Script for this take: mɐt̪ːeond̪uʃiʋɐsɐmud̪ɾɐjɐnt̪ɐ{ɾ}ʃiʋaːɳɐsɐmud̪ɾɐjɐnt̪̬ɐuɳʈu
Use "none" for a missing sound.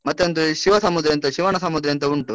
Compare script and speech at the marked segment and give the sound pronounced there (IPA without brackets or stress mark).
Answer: none